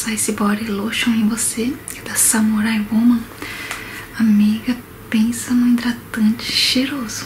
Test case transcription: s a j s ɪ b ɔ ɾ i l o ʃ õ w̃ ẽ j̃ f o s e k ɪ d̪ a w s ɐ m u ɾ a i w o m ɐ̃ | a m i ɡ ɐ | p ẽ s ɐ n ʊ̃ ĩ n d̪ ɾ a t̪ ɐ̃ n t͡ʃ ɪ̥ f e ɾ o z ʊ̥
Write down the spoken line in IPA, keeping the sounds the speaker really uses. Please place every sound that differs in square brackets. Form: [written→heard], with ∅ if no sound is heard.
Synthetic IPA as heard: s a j s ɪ b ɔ ɾ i l o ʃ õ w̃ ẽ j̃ [f→v] o s e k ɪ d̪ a [w→∅] s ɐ m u ɾ a [i→j] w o m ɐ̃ | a m i ɡ ɐ | p ẽ s ɐ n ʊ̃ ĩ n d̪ ɾ a t̪ ɐ̃ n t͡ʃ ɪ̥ [f→ʃ] e ɾ o z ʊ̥